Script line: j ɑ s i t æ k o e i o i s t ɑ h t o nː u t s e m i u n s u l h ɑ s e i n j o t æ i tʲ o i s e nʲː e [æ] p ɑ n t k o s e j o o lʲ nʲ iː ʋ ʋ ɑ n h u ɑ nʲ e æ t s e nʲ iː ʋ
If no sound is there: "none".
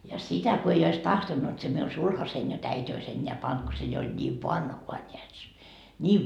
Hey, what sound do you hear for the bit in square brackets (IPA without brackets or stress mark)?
æ